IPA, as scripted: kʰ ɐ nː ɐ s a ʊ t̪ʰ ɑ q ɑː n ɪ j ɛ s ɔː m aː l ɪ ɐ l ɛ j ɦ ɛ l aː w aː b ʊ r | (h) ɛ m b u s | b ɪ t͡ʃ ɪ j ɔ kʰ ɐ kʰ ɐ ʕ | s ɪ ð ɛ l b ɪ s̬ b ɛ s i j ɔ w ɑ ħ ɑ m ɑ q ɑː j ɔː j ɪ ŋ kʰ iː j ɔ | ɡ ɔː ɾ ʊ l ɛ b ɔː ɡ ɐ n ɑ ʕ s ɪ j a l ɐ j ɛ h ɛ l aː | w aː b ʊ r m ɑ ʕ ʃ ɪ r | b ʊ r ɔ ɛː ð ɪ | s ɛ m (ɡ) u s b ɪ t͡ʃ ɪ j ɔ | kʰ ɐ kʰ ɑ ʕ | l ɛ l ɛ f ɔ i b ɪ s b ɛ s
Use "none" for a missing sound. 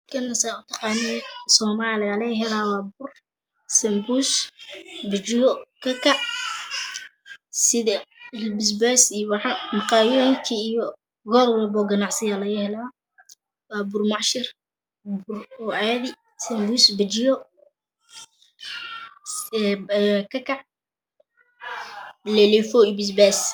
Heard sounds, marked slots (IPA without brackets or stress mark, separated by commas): s, b